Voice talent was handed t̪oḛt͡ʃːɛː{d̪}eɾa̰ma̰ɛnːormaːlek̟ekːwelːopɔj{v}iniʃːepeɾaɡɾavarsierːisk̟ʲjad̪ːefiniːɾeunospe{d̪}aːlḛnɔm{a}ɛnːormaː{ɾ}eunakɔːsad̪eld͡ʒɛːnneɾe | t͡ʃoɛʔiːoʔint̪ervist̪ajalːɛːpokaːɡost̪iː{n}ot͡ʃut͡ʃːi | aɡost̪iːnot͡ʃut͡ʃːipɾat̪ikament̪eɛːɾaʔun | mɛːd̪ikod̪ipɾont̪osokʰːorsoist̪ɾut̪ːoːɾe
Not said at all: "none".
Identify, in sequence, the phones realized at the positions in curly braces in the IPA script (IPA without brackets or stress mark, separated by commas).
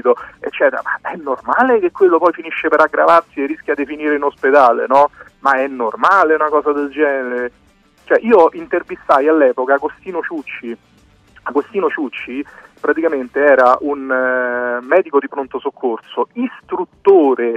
t̪, f, d̪, a, l, n